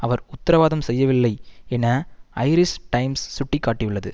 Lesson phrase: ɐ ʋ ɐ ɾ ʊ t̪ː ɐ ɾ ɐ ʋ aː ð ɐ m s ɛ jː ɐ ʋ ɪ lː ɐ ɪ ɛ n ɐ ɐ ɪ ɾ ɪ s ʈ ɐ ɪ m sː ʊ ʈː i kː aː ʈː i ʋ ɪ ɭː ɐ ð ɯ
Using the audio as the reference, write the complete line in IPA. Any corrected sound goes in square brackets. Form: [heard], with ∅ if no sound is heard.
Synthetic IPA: ɐ ʋ ɐ ɾ ʊ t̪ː ɐ ɾ ɐ ʋ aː ð ɐ m s ɛ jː ɐ ʋ ɪ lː ɐ ɪ ɛ n ɐ ɐ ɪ ɾ ɪ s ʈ ɐ ɪ m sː ʊ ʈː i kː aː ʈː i ʋ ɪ ɭː ɐ ð ɯ

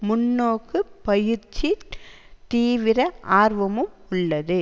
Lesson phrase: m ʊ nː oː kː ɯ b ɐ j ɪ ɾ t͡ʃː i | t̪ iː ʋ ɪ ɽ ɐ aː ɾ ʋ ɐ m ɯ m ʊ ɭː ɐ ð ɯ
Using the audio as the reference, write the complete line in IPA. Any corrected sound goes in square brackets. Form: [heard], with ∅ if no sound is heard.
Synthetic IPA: m ʊ nː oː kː ɯ [p] ɐ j ɪ ɾ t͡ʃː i | t̪ iː ʋ ɪ [ɾ] ɐ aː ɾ ʋ ɐ m ɯ m ʊ ɭː ɐ ð ɯ

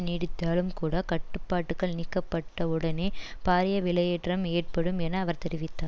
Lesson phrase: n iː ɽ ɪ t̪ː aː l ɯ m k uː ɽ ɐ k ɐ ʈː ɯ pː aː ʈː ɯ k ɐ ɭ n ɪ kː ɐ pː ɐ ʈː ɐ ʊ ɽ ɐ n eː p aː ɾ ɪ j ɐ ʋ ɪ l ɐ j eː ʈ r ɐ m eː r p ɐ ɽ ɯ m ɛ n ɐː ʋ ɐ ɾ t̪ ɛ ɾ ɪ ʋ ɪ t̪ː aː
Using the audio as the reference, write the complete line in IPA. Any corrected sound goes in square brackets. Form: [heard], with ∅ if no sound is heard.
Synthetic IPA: n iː ɽ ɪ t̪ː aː l ɯ m k uː ɽ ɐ k ɐ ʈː ɯ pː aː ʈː ɯ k ɐ ɭ n ɪ kː ɐ pː ɐ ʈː ɐ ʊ ɽ ɐ n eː p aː ɾ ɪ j ɐ ʋ ɪ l ɐ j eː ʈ r ɐ m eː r p ɐ ɽ ɯ m ɛ n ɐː ʋ ɐ ɾ t̪ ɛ ɾ ɪ ʋ ɪ t̪ː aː

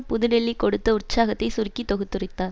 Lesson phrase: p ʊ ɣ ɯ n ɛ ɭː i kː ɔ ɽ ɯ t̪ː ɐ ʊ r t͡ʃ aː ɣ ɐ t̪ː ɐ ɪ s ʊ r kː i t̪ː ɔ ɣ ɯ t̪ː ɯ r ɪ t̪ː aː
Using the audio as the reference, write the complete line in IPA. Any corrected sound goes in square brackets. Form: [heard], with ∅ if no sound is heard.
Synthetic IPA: p ʊ [ð] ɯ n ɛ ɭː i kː ɔ ɽ ɯ t̪ː ɐ ʊ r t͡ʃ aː ɣ ɐ t̪ː ɐ ɪ s ʊ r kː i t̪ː ɔ ɣ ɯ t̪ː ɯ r ɪ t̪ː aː

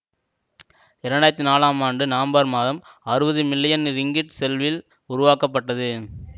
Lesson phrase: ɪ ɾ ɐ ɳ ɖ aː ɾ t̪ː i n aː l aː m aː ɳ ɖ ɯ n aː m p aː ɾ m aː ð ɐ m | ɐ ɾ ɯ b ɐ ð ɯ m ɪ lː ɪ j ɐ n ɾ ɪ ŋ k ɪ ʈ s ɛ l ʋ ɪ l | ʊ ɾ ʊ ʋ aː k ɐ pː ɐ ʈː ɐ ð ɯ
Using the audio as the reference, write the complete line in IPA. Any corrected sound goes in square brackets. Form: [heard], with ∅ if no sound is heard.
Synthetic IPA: ɪ ɾ ɐ ɳ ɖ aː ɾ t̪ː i n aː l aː m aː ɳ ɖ ɯ n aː m [b] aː ɾ m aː ð ɐ m | ɐ ɾ ɯ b ɐ ð ɯ m ɪ lː ɪ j ɐ n ɾ ɪ ŋ [ɡ] ɪ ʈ s ɛ l ʋ ɪ l | ʊ ɾ ʊ ʋ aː k ɐ pː ɐ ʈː ɐ ð ɯ

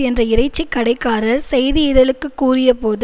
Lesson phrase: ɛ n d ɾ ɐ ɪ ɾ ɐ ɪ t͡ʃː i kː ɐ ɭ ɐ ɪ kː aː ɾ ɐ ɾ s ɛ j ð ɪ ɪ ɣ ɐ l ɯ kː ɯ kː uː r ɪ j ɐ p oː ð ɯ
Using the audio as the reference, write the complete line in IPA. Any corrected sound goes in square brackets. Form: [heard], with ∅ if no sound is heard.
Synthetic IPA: ɛ n d [r] ɐ ɪ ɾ ɐ ɪ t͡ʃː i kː ɐ [ɽ] ɐ ɪ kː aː ɾ ɐ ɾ s ɛ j ð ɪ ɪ [ð] ɐ l ɯ kː ɯ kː uː r ɪ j ɐ p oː ð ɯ

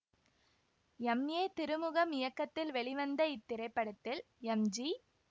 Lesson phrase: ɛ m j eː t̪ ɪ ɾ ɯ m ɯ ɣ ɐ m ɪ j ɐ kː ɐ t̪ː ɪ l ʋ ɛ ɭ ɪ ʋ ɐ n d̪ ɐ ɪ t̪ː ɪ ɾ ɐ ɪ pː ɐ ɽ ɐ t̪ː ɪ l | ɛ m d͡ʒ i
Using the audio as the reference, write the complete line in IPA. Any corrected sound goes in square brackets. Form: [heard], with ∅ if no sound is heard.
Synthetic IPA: ɛ m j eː t̪ ɪ ɾ ɯ m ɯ ɣ ɐ m ɪ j ɐ kː ɐ t̪ː ɪ l ʋ ɛ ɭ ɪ ʋ ɐ n d̪ ɐ ɪ t̪ː ɪ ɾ ɐ ɪ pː ɐ ɽ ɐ t̪ː ɪ l | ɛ m d͡ʒ i

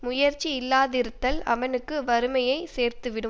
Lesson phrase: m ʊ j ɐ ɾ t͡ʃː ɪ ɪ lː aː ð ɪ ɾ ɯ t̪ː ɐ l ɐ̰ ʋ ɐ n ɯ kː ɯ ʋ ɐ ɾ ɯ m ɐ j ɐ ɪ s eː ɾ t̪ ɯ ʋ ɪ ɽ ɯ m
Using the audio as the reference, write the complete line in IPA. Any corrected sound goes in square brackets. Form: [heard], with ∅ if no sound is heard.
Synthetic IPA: m ʊ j ɐ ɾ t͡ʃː [i] ɪ lː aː ð ɪ ɾ ɯ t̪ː ɐ l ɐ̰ ʋ ɐ n ɯ kː ɯ ʋ ɐ ɾ ɯ m ɐ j ɐ ɪ s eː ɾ t̪ ɯ ʋ ɪ ɽ ɯ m

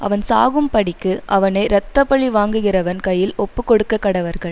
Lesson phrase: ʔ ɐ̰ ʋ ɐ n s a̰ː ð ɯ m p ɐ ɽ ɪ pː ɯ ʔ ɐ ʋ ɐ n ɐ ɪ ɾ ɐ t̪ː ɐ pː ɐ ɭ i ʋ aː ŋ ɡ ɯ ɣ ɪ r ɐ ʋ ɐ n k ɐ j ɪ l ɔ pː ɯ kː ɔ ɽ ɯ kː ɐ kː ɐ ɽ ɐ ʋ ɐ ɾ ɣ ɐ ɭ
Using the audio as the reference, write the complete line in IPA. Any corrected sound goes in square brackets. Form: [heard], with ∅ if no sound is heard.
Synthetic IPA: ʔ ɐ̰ ʋ ɐ n s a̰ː [ɣ] ɯ m p ɐ ɽ ɪ [kː] ɯ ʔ ɐ ʋ ɐ n ɐ ɪ ɾ ɐ t̪ː ɐ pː ɐ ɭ i ʋ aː ŋ ɡ ɯ ɣ ɪ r ɐ ʋ ɐ n k ɐ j ɪ l ɔ pː ɯ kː ɔ ɽ ɯ kː ɐ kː ɐ ɽ ɐ ʋ ɐ ɾ ɣ ɐ ɭ

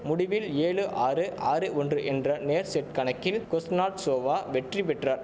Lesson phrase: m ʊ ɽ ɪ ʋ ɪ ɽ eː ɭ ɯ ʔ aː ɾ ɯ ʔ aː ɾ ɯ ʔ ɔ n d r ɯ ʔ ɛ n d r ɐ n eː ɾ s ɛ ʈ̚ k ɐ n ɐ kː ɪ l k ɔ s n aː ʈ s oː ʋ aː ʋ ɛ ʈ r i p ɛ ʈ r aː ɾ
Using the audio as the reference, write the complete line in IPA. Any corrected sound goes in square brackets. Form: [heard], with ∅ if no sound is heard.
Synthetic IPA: m ʊ ɽ ɪ ʋ ɪ [l] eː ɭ ɯ ʔ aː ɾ ɯ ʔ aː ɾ ɯ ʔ ɔ n d r ɯ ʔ ɛ n d r ɐ n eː ɾ s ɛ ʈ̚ k ɐ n ɐ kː ɪ l k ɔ s n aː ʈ s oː ʋ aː ʋ ɛ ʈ r i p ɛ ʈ r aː ɾ

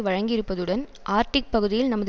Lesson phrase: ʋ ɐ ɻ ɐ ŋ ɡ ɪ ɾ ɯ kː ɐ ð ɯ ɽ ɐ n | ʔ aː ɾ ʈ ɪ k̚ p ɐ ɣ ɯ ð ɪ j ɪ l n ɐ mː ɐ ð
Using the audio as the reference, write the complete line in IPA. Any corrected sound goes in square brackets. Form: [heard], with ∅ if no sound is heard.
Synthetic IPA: ʋ ɐ ɻ ɐ ŋ ɡ ɪ ɾ ɯ [pː] ɐ ð ɯ ɽ ɐ n | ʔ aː ɾ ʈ ɪ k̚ p ɐ ɣ ɯ ð ɪ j ɪ l n ɐ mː ɐ ð

